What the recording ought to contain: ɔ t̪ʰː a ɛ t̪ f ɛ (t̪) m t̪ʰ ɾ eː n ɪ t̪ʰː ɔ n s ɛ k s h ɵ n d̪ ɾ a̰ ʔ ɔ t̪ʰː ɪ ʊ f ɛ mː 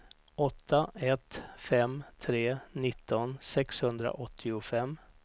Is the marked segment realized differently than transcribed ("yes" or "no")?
yes